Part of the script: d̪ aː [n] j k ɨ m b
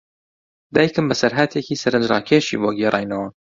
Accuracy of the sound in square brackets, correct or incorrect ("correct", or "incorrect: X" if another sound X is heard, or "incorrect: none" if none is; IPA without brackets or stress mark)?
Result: incorrect: none